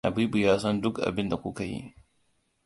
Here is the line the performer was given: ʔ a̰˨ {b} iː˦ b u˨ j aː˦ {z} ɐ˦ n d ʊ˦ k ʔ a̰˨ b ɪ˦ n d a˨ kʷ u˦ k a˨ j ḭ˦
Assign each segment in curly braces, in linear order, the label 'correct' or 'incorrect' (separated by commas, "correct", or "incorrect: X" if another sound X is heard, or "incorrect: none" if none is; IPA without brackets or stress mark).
correct, incorrect: s